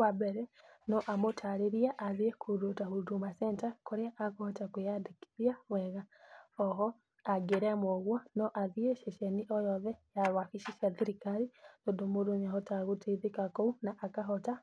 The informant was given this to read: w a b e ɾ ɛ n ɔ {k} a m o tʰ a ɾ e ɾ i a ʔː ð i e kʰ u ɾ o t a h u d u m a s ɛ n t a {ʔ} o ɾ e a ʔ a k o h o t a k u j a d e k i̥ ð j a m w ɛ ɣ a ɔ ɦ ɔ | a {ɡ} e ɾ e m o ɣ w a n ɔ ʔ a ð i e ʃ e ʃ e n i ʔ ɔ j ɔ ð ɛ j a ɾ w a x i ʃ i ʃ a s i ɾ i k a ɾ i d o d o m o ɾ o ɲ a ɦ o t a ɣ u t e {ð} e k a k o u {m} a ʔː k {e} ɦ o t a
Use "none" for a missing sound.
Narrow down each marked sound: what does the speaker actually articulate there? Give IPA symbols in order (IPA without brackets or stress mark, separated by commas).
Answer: ʔ, k, ɡ, ð, n, a